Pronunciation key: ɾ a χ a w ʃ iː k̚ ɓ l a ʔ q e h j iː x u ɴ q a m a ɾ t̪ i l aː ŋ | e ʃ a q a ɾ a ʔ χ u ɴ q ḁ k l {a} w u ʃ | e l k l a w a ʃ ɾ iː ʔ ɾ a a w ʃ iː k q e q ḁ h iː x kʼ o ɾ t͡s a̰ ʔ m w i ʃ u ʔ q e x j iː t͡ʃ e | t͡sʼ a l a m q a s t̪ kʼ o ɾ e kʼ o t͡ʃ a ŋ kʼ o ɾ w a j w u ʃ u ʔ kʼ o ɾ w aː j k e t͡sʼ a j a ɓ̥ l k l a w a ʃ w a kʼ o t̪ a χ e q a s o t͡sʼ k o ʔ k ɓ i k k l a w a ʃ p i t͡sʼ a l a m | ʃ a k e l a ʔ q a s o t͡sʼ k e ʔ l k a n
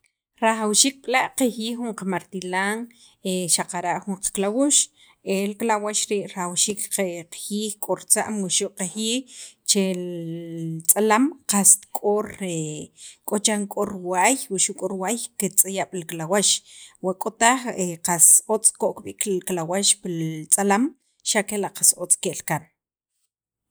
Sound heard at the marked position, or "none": a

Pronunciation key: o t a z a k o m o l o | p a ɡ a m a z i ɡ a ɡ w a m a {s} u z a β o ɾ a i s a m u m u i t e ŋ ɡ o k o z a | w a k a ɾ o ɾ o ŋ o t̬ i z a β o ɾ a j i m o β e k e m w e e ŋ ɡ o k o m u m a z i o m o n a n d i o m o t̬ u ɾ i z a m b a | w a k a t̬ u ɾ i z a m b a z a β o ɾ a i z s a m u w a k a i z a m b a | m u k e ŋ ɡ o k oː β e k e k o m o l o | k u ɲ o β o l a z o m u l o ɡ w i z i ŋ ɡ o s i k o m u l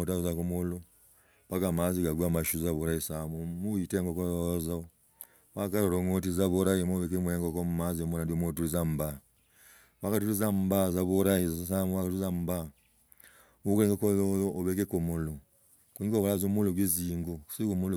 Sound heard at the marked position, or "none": ʃ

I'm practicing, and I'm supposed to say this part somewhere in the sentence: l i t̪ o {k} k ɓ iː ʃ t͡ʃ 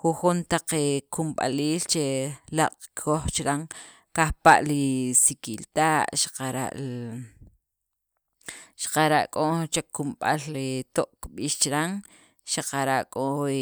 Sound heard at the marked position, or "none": ʔ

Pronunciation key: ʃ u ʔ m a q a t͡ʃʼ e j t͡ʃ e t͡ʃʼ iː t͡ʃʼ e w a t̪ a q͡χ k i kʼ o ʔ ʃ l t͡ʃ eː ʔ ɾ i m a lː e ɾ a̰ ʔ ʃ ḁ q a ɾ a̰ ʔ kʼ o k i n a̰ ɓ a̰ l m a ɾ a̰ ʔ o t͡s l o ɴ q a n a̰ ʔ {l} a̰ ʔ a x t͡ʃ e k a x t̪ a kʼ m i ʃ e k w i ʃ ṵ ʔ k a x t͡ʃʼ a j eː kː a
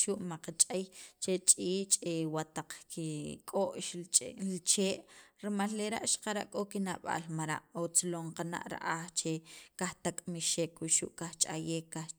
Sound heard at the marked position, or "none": ɾ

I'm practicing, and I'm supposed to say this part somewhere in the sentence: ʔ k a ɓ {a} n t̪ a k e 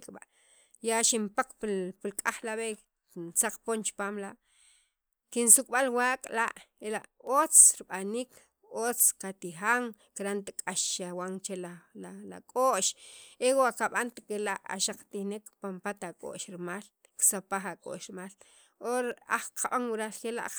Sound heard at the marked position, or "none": a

